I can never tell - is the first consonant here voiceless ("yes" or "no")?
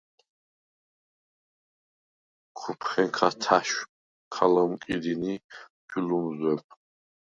yes